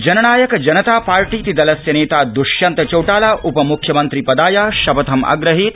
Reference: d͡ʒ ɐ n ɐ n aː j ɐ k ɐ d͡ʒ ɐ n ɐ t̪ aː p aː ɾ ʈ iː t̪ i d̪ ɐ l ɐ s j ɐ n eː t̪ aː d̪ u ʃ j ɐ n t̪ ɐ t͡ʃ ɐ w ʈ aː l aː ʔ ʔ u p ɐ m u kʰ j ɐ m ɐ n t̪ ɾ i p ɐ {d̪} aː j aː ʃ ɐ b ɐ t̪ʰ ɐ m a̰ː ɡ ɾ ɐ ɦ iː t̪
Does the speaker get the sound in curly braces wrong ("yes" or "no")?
no